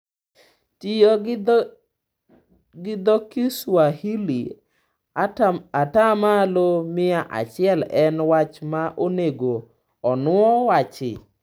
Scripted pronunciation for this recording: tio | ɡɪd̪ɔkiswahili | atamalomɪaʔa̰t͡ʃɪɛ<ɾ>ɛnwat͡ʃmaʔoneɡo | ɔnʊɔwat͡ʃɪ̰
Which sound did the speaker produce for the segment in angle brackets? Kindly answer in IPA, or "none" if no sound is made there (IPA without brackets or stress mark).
l